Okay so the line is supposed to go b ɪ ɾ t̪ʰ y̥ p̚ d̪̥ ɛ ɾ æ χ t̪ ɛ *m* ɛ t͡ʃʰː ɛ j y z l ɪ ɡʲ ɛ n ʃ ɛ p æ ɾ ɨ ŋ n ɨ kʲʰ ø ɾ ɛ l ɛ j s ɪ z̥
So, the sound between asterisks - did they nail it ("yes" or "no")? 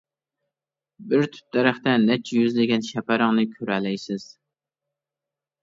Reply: no